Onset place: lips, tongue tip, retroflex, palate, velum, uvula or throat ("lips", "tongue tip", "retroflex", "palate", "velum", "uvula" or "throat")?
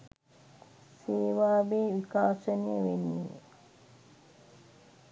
tongue tip